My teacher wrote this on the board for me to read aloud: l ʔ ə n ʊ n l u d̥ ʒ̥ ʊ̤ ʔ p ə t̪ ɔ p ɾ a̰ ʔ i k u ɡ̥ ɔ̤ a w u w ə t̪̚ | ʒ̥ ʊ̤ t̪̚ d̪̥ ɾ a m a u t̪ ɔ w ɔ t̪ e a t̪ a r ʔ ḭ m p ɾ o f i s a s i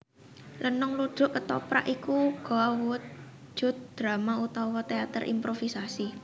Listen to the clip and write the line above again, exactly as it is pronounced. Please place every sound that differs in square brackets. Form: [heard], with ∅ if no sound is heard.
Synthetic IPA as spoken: l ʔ ə n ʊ [ŋ] l u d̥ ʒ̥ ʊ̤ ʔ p ə t̪ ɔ p ɾ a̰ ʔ i k u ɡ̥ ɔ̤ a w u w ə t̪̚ | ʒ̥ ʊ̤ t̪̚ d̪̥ ɾ a m a u t̪ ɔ w ɔ t̪ e a t̪ [ə] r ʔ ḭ m p ɾ o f i s a s i